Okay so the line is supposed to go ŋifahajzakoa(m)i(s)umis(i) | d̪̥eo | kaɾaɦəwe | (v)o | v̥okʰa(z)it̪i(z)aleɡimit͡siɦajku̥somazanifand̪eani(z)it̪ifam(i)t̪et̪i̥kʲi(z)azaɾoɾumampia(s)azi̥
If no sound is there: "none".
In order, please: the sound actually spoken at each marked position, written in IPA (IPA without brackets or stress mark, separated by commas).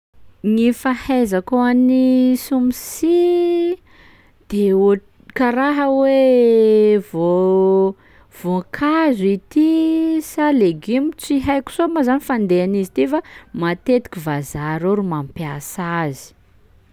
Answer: n, s, i, v, z, s, z, a, v, s